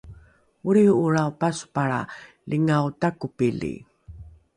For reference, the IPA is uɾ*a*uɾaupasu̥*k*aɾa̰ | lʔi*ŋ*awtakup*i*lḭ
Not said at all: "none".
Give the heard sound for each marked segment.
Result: i, p, ŋ, i

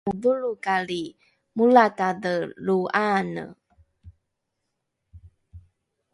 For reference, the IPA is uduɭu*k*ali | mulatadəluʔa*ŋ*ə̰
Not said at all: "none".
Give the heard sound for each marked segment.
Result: k, n

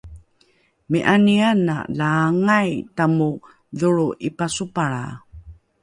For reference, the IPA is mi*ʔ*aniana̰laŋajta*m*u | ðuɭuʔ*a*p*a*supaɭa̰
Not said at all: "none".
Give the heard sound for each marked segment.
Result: ʔ, m, i, a

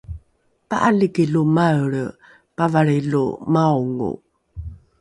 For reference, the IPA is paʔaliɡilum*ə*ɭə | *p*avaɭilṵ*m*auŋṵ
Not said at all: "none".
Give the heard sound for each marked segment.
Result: a, p, m

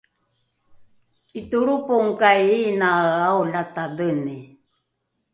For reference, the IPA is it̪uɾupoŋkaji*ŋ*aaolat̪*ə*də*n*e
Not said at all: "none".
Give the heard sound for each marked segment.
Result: n, a, n

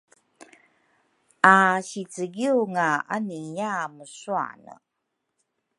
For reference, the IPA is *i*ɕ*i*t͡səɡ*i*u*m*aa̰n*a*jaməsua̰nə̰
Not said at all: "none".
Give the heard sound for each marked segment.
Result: a, i, i, ŋ, i

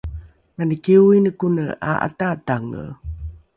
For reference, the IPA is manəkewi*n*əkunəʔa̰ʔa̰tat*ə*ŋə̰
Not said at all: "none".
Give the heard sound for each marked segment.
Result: n, a

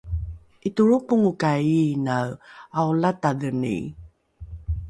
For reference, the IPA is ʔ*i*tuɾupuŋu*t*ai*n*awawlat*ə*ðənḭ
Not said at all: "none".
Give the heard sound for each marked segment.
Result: i, k, n, a

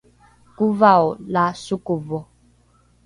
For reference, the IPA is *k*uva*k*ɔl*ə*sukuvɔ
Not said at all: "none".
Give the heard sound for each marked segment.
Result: k, none, a

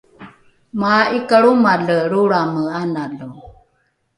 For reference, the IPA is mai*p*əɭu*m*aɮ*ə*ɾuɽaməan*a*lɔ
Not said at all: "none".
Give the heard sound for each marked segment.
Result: k, m, ə, a

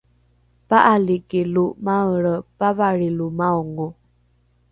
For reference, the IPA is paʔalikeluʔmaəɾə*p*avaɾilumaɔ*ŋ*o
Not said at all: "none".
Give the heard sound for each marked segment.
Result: p, ŋ

